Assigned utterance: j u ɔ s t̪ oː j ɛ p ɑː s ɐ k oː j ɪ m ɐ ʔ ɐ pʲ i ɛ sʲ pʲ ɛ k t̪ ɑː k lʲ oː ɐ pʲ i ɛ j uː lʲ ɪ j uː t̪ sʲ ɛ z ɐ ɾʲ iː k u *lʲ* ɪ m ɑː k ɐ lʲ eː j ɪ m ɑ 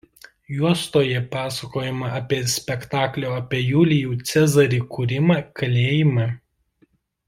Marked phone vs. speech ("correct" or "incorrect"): incorrect